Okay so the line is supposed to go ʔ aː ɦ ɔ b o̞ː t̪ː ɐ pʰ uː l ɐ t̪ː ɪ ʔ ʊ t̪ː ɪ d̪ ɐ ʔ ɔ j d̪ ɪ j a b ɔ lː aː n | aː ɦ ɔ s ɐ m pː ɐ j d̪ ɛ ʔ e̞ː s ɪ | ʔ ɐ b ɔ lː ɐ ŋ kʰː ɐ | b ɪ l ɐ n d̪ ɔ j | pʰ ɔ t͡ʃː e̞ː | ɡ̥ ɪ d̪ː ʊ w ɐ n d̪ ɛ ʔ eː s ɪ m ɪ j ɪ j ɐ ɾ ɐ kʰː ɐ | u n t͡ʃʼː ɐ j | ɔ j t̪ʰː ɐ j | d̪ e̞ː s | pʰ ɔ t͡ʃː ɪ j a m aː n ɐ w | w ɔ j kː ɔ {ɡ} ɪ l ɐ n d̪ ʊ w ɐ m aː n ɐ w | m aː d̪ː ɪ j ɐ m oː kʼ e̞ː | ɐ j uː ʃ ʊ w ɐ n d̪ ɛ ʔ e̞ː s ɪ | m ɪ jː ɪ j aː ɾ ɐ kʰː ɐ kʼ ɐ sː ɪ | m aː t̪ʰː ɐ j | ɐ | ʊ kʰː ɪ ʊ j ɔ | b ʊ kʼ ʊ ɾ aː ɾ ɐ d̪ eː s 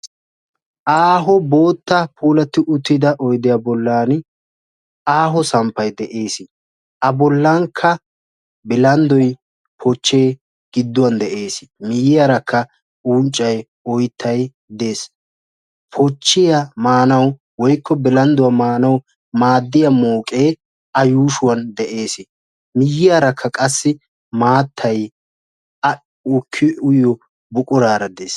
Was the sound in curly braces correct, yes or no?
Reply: no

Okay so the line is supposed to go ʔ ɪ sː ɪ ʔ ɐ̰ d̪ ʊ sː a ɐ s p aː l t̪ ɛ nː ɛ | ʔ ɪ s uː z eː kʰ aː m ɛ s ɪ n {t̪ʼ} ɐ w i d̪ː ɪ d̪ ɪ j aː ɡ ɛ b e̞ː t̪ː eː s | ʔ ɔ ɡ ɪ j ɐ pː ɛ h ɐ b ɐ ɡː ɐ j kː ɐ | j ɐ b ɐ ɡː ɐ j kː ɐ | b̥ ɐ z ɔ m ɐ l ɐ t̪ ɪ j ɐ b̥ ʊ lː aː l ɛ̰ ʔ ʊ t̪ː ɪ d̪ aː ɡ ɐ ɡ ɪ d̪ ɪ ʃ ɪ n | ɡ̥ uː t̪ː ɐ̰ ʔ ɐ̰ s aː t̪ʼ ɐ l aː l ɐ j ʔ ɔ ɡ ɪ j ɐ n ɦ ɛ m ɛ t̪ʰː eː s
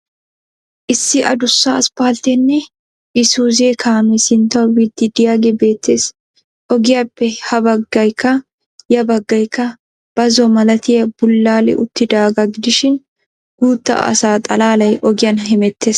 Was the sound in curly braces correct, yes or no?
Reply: no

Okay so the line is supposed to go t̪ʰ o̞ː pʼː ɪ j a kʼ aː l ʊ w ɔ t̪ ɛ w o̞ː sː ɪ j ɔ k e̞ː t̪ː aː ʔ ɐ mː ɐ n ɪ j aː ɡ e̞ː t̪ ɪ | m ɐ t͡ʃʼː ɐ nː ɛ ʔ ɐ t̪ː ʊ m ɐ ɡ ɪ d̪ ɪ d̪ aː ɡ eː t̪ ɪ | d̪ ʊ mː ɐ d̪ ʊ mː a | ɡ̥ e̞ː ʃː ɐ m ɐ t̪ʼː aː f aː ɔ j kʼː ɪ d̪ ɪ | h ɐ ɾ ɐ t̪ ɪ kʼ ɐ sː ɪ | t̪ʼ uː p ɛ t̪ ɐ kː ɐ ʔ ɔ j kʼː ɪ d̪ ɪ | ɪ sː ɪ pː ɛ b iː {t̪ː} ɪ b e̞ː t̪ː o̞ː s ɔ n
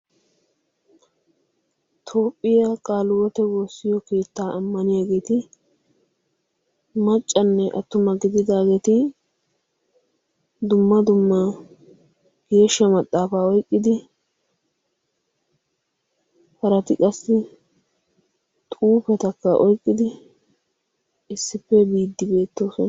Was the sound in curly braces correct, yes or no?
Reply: no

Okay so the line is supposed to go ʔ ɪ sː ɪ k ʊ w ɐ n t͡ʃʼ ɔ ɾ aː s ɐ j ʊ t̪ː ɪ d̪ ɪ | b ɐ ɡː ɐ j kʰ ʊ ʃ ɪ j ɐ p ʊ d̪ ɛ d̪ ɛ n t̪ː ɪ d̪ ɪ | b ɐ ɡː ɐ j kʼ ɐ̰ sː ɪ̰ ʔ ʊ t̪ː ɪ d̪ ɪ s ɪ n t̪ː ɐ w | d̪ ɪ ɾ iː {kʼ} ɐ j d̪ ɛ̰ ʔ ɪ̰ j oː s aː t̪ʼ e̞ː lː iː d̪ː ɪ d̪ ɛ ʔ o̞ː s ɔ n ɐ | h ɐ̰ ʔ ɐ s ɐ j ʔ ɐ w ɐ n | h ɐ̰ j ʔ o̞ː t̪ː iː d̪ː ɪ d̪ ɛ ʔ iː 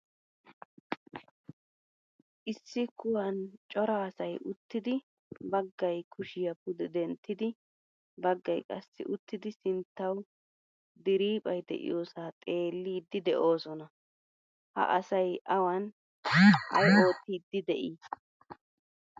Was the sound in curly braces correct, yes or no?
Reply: no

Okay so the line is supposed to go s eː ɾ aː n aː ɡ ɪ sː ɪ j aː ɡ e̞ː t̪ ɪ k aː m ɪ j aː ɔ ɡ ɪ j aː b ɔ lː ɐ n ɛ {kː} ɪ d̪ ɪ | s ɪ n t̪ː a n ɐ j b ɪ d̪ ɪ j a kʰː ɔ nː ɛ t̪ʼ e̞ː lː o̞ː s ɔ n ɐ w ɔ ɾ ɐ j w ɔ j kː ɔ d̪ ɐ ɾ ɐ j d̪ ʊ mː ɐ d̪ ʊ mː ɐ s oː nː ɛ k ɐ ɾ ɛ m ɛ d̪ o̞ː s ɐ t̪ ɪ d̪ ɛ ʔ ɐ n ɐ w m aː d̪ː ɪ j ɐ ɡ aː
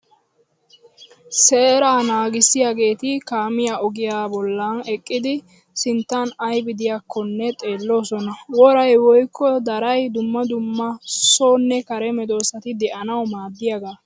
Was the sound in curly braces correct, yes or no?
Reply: no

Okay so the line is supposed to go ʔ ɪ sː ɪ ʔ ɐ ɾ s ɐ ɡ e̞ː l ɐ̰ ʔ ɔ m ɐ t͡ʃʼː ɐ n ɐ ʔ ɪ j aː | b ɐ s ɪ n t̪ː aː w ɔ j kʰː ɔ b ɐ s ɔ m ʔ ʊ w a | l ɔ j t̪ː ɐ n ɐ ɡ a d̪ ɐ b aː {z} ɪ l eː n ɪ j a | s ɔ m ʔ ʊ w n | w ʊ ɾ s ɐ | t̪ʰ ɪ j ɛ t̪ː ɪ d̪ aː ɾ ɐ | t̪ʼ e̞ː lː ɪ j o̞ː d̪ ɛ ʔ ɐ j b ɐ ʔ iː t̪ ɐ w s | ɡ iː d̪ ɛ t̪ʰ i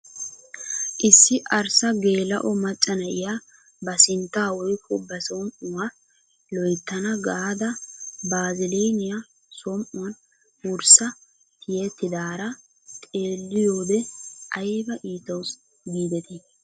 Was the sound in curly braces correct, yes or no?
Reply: yes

